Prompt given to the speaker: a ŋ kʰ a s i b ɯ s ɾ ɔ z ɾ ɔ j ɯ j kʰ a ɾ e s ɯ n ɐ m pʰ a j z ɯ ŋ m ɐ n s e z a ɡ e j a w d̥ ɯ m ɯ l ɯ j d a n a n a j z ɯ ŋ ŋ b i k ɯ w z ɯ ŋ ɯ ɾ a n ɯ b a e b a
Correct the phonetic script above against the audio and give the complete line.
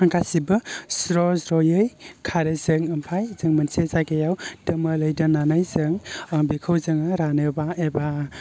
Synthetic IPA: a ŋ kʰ a s i b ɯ s ɾ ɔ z ɾ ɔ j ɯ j kʰ a ɾ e z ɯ ŋ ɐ m pʰ a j z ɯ ŋ m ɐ n s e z a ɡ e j a w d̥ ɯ m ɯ l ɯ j d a n a n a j z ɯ ŋ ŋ b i kʰ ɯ w z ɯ ŋ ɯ ɾ a n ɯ b a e b a